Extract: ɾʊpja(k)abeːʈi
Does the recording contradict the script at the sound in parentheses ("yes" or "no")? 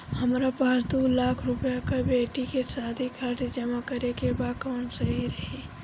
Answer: no